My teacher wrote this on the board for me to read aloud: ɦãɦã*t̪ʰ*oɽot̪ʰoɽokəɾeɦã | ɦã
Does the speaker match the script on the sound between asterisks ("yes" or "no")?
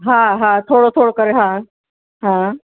yes